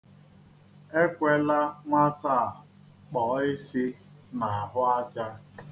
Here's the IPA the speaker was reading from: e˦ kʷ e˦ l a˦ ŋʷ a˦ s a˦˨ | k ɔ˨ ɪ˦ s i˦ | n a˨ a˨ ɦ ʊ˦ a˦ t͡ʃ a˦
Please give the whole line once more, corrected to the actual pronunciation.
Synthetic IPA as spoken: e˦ kʷ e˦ l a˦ ŋʷ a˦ t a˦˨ | k͡p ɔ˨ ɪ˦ s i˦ | n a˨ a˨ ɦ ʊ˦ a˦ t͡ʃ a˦